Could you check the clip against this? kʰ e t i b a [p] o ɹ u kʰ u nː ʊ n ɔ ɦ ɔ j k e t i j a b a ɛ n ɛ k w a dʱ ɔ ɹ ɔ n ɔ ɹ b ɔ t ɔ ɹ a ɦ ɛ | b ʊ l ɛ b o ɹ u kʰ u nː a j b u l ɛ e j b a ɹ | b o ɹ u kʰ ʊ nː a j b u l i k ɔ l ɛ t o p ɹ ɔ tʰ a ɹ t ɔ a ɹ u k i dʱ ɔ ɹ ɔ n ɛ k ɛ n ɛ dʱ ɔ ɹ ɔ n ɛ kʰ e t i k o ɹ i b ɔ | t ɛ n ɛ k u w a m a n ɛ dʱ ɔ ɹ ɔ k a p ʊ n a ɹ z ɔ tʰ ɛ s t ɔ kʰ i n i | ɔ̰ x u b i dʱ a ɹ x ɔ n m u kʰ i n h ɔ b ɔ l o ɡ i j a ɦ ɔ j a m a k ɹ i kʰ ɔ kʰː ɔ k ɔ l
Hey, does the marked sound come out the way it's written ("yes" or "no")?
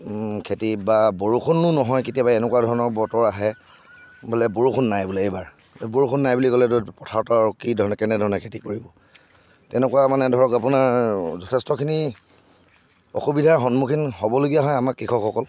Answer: no